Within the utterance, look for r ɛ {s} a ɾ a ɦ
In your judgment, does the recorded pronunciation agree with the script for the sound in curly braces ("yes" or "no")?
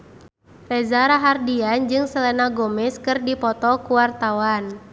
no